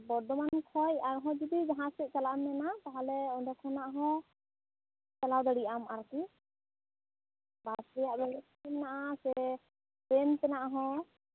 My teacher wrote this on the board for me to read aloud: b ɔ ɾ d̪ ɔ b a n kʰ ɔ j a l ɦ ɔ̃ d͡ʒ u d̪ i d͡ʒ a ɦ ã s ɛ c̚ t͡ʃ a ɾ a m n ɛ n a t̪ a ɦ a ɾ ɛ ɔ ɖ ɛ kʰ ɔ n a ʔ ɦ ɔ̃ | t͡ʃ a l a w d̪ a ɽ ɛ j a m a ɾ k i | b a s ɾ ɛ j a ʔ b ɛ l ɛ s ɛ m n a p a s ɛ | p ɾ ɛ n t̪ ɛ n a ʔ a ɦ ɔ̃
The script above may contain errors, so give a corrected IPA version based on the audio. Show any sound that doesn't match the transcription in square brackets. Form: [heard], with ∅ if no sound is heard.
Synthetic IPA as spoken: b ɔ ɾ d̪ ɔ [m] a n kʰ ɔ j a [ɾ] ɦ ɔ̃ d͡ʒ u d̪ i d͡ʒ a ɦ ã s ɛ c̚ t͡ʃ a [l] a m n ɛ n a t̪ a ɦ a [l] ɛ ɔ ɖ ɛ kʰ ɔ n a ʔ ɦ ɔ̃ | t͡ʃ a l a w d̪ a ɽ [i] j a m a ɾ k i | b a s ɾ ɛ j a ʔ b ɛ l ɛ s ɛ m n a [ʔ] a s ɛ | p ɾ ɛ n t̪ ɛ n a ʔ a ɦ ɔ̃